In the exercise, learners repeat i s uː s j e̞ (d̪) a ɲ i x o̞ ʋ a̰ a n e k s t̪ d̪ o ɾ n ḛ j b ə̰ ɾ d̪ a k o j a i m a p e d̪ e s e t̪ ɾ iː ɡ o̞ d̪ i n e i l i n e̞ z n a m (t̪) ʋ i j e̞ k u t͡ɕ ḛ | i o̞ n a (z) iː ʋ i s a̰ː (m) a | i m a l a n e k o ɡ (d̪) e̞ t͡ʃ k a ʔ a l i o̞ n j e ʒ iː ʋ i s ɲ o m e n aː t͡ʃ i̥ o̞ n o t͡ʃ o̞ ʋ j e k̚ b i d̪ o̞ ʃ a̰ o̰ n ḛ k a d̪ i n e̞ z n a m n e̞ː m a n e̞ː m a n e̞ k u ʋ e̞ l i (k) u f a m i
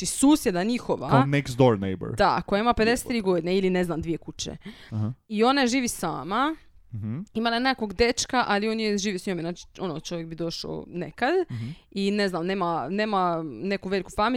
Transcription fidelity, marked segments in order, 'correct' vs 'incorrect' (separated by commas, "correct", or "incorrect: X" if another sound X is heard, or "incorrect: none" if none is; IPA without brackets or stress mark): correct, incorrect: d̪, incorrect: ʒ, correct, correct, correct